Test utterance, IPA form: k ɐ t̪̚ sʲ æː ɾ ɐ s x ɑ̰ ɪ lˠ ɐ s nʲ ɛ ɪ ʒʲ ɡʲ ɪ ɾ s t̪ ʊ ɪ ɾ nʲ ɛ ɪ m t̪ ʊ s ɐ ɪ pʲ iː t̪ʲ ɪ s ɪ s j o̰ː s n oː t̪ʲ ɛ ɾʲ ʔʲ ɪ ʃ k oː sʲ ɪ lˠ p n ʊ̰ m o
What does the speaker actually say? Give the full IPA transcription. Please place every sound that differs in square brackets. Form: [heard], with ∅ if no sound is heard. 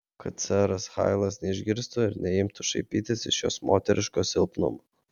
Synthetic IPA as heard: k ɐ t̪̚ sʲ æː ɾ ɐ s x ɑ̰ ɪ lˠ ɐ s nʲ ɛ ɪ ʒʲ ɡʲ ɪ ɾ s t̪ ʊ ɪ ɾ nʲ ɛ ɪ m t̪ ʊ [ʃ] ɐ ɪ pʲ iː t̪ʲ ɪ s ɪ [ʃ] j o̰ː s [m] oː t̪ʲ ɛ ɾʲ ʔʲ ɪ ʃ k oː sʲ ɪ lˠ p n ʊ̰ m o